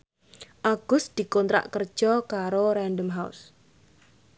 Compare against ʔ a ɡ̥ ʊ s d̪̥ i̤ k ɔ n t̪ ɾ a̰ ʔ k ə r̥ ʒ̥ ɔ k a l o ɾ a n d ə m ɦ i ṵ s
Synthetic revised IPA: ʔ a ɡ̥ ʊ s d̪̥ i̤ k ɔ n t̪ ɾ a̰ ʔ k ə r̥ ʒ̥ ɔ k a ɾ o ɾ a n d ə m ɦ a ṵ s